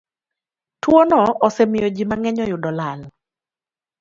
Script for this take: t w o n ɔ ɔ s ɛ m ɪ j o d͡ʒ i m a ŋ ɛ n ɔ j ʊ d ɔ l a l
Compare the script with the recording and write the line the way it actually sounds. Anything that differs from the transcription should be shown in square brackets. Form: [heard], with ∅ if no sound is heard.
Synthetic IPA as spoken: t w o n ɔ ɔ s ɛ m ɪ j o d͡ʒ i m a ŋ ɛ [ɲ] ɔ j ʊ d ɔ l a l